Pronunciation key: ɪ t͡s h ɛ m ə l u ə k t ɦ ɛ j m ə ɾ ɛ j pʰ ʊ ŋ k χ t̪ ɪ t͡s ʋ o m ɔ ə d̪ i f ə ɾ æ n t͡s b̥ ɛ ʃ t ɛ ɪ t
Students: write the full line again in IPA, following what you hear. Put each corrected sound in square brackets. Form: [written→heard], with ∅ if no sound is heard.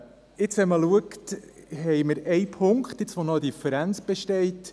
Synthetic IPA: ɪ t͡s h ɛ m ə l u ə k t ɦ ɛ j m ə ɾ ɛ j pʰ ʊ ŋ k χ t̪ ɪ t͡s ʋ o [m→n] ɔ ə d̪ i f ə ɾ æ n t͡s b̥ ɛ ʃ t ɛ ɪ t